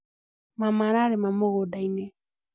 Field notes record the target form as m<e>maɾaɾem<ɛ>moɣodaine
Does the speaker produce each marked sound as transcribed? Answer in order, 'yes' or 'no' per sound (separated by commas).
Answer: no, no